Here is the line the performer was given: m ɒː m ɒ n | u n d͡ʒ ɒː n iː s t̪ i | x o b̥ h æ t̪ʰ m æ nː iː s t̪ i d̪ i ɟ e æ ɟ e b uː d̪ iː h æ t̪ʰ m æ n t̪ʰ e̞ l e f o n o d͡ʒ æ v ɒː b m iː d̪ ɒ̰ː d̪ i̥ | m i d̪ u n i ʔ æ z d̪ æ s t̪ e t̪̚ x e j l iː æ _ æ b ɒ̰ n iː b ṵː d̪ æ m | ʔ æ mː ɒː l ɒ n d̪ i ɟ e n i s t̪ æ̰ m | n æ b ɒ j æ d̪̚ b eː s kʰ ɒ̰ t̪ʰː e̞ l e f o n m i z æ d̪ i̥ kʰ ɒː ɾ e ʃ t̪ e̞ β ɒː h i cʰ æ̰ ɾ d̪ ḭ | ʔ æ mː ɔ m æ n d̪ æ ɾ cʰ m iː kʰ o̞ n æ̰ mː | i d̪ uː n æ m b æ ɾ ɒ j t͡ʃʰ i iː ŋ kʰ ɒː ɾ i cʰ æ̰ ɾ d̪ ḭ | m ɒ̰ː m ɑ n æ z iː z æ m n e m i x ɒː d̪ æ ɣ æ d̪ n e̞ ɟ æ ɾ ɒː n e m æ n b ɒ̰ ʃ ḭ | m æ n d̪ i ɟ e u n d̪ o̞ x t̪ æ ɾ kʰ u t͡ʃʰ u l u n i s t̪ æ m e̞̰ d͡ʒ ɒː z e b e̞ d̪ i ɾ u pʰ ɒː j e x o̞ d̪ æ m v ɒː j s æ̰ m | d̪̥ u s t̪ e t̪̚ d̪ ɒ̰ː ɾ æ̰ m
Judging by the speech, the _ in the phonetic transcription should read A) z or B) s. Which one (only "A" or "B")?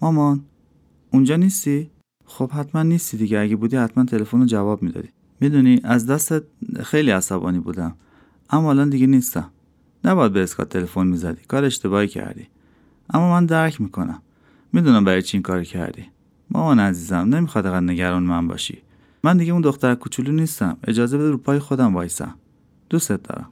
B